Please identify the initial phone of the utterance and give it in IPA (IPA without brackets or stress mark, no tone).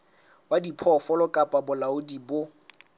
w